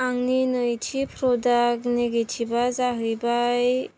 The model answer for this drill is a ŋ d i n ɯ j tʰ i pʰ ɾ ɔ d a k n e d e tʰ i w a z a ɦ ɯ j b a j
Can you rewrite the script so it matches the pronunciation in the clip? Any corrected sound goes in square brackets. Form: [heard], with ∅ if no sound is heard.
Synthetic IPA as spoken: a ŋ [n] i n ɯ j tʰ i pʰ ɾ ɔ d a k n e [ɡ] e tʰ i [b] a z a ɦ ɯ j b a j